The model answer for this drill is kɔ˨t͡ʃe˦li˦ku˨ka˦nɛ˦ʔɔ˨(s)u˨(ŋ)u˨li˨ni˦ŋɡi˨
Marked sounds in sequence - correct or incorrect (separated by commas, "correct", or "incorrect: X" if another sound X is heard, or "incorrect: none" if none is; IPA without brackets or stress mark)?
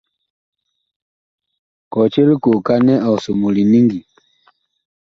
correct, incorrect: m